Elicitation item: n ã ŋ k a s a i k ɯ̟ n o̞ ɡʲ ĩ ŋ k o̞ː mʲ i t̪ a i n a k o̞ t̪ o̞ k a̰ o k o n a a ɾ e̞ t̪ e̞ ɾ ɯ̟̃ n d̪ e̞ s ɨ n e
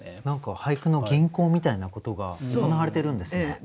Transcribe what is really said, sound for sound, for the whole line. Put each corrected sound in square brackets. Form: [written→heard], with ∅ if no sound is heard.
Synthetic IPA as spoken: n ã ŋ k a [s→h] a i k ɯ̟ n o̞ ɡʲ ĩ ŋ k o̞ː mʲ i t̪ a i n a k o̞ t̪ o̞ [k→ɡ] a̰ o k o n a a ɾ e̞ t̪ e̞ ɾ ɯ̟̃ n d̪ e̞ s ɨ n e